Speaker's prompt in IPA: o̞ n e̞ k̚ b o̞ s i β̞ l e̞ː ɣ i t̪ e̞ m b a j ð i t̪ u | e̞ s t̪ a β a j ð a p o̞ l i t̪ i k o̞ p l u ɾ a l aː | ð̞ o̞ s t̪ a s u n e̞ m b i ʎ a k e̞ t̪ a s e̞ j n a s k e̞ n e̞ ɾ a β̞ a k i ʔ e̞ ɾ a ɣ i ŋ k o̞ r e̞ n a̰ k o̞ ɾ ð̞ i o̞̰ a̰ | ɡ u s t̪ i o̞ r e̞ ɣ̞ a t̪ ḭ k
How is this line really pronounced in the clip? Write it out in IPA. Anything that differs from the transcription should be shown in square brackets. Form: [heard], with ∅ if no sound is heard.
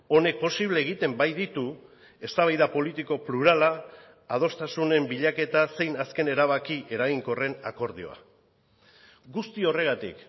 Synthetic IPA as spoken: o̞ n e̞ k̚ [p] o̞ s i β̞ l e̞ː ɣ i t̪ e̞ m b a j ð i t̪ u | e̞ s t̪ a β a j ð a p o̞ l i t̪ i k o̞ p l u ɾ a l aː | ð̞ o̞ s t̪ a s u n e̞ m b i ʎ a k e̞ t̪ a s e̞ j n a s k e̞ n e̞ ɾ a β̞ a k i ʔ e̞ ɾ a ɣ i ŋ k o̞ r e̞ n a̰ k o̞ ɾ ð̞ i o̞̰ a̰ | ɡ u s t̪ i o̞ r e̞ ɣ̞ a t̪ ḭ k